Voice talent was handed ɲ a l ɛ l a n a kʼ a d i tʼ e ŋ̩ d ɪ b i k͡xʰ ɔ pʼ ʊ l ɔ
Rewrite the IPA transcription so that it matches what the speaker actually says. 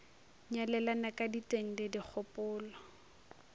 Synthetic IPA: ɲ a l ɛ l a n a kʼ a d i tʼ e ŋ̩ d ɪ d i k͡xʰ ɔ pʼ ʊː l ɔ